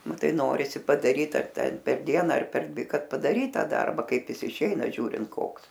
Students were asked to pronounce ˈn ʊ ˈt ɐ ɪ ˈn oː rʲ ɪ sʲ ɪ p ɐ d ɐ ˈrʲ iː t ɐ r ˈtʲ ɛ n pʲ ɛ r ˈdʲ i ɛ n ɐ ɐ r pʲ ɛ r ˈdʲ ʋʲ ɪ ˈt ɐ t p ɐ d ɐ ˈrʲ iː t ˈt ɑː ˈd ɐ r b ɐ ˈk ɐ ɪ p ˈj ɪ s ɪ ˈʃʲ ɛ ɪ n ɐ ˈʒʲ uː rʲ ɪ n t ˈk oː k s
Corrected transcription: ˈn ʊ ˈt ɐ ɪ ˈn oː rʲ ɪ sʲ ɪ p ɐ d ɐ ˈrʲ iː t ɐ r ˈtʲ ɛ n pʲ ɛ r ˈdʲ i ɛ n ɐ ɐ r pʲ ɛ r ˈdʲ ʋʲ ɪ ˈk ɐ t p ɐ d ɐ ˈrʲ iː t ˈt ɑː ˈd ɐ r b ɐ ˈk ɐ ɪ p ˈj ɪ s ɪ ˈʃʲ ɛ ɪ n ɐ ˈʒʲ uː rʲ ɪ n t ˈk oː k s